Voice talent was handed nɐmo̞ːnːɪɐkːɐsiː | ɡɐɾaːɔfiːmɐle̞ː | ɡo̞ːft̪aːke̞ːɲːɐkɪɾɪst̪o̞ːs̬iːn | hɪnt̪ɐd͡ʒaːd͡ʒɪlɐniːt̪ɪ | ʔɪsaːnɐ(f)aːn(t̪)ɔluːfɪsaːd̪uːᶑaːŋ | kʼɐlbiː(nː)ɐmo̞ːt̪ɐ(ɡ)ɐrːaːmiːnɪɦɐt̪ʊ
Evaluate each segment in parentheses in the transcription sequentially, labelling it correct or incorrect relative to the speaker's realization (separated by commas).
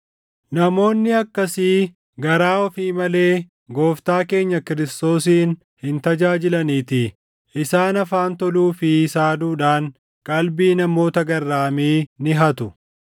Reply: correct, correct, incorrect, correct